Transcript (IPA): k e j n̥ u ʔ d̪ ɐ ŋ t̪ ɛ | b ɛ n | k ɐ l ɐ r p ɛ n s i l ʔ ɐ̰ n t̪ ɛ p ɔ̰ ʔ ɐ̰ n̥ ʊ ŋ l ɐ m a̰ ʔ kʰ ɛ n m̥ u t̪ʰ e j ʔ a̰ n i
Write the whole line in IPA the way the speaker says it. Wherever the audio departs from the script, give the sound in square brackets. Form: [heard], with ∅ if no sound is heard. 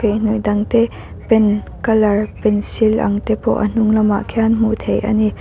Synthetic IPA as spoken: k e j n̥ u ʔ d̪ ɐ ŋ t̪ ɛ | [p] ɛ n | k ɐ l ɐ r p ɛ n s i l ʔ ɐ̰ [ŋ] t̪ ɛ p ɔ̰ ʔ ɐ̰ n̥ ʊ ŋ l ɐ m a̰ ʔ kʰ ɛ n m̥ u t̪ʰ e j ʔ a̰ n i

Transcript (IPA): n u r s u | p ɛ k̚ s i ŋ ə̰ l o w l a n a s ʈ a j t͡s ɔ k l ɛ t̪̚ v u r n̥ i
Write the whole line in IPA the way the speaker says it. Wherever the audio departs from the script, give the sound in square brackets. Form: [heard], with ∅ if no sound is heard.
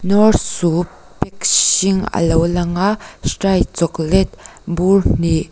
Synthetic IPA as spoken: n [ɔ] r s u | p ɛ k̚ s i ŋ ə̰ l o w l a [ŋ] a s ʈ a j t͡s ɔ k l ɛ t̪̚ [b] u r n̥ i

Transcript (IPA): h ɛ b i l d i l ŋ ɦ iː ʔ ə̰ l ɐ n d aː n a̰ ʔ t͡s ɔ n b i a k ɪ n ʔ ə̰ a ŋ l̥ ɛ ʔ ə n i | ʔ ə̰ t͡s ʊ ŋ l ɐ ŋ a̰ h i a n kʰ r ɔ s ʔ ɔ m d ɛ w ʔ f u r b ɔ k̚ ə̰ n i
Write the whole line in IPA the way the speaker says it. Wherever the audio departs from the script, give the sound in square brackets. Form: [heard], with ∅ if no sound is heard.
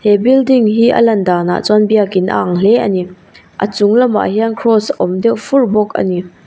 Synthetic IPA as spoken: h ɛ b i l d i [∅] ŋ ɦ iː ʔ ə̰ l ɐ n d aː n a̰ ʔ t͡s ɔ n b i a k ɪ n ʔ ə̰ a ŋ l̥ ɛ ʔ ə n i | ʔ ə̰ t͡s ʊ ŋ l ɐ [m] a̰ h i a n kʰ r ɔ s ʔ ɔ m d ɛ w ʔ f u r b ɔ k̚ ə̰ n i

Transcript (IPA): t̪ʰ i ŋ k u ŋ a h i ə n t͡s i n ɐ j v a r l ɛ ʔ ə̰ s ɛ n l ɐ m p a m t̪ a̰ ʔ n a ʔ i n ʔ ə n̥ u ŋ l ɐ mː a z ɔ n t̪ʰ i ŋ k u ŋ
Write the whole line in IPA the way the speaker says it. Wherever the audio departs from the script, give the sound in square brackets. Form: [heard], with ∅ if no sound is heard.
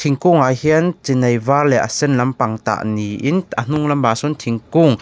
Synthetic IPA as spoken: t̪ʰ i ŋ k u ŋ a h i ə n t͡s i n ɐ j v a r l ɛ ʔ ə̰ s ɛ n l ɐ m p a [ŋ] t̪ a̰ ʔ n [i] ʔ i n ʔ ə n̥ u ŋ l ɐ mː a [s] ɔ n t̪ʰ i ŋ k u ŋ

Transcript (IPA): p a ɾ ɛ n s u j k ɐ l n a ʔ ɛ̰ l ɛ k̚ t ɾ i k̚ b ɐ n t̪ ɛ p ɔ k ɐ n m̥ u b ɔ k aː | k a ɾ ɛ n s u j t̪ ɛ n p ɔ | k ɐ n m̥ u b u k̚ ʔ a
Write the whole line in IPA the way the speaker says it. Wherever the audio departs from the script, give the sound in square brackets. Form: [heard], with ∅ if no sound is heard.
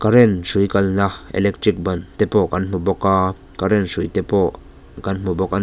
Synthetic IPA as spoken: [k] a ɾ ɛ n s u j k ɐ l n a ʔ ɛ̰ l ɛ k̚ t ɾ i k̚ b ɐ n t̪ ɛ p ɔ k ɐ n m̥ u b ɔ k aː | k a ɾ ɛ n s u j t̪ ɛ [∅] p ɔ | k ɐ n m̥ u b [ɔ] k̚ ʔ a

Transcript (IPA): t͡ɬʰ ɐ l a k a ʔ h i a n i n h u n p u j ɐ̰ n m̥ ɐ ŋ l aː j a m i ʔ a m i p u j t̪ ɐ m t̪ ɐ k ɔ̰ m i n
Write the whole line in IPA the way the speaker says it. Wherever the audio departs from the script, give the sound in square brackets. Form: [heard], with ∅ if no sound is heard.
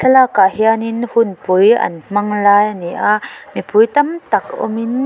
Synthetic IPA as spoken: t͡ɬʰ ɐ l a k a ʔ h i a n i n h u n p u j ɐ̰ n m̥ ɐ ŋ l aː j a [n] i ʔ a m i p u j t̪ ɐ m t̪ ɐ k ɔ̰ m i n

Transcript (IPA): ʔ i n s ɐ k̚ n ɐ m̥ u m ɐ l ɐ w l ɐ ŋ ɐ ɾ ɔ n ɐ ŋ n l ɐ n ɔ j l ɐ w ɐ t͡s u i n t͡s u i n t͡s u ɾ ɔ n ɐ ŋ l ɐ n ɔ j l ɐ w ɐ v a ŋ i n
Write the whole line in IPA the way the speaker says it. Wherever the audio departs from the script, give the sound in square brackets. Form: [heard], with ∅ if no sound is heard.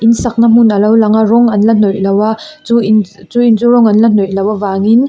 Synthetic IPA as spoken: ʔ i n s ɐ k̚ n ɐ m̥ u [n] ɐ l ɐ w l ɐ ŋ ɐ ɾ ɔ [ŋ] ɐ [∅] n l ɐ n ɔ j l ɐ w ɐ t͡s u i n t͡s u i n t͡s u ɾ ɔ [ŋ] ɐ [n] l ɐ n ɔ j l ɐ w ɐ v a ŋ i n

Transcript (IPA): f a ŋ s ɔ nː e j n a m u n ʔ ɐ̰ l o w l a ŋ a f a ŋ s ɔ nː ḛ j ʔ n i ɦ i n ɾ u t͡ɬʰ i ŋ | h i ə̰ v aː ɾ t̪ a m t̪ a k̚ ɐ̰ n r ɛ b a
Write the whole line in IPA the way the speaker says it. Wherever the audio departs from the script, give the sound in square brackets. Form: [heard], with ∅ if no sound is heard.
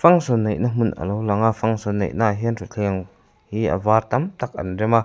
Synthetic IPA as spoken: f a ŋ s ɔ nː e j n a m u n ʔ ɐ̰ l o w l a ŋ a f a ŋ s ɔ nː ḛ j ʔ n [a] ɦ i n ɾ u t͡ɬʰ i ŋ | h i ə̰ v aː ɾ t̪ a m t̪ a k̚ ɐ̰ n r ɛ [m] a

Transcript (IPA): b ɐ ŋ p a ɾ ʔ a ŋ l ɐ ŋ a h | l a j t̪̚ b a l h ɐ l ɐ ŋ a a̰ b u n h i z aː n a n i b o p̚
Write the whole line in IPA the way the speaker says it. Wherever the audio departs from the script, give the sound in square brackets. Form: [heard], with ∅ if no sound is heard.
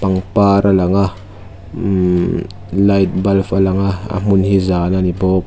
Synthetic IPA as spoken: [p] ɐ ŋ p a ɾ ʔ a [∅] l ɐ ŋ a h | l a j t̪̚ b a l [f] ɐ l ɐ ŋ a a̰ [m] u n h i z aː n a n i b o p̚

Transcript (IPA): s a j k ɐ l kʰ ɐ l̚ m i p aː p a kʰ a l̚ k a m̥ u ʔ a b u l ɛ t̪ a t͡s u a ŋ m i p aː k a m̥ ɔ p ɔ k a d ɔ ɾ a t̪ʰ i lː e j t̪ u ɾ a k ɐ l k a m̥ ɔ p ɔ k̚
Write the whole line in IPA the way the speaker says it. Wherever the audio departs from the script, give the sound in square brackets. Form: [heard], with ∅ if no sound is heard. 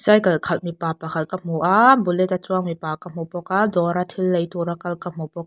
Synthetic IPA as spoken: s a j k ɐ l kʰ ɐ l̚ m i p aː p a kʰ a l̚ k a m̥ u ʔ a b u l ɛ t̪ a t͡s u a ŋ m i p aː k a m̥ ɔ p ɔ k a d ɔ ɾ a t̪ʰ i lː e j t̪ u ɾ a k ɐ l k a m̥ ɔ p ɔ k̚

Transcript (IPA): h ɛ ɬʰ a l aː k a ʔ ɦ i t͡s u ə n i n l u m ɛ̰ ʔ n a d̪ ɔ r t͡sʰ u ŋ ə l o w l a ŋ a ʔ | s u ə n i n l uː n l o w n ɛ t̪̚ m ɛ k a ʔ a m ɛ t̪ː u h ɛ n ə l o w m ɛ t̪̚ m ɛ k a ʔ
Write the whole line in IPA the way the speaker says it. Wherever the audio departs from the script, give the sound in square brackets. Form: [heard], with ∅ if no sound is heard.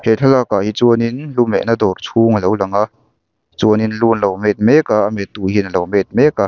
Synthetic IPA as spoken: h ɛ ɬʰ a l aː k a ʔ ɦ i t͡s u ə n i n l u m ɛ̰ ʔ n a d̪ ɔ r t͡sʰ u ŋ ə l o w l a ŋ a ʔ | [t͡s] u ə n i n l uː n l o w [m] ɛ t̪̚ m ɛ k a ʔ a m ɛ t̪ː u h [i] n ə l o w m ɛ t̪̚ m ɛ k a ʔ

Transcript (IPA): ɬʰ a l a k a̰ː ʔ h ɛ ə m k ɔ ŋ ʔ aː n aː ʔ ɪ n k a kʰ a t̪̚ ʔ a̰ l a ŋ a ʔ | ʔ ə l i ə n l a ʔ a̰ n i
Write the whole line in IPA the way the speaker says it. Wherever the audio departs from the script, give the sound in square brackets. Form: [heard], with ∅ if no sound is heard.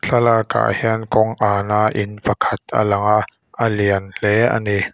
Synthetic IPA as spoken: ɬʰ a l a k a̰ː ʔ h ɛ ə [n] k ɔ ŋ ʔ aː n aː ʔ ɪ n [p] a kʰ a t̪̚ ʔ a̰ l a ŋ a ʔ | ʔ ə l i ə n l [ɛ] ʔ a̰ n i

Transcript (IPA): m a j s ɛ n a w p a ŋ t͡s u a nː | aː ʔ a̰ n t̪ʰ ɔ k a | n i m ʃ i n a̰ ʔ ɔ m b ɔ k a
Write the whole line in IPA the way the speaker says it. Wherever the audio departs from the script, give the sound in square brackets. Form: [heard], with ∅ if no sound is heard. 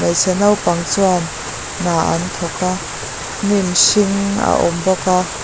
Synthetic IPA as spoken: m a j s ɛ n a w p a ŋ t͡s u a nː | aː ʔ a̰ n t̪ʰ ɔ k a | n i m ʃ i [ŋ] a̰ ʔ ɔ m b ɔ k a

